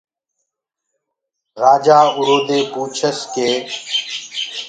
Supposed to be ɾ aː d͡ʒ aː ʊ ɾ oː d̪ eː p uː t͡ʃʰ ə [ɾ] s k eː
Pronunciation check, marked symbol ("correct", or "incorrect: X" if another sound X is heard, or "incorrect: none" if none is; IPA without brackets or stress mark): incorrect: none